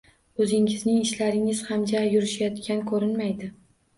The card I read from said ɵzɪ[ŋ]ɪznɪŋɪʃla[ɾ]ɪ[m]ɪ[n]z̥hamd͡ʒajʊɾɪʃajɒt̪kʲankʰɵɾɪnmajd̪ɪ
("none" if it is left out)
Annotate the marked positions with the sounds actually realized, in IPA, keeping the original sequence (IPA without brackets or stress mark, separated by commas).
ŋ, ɾ, ŋ, none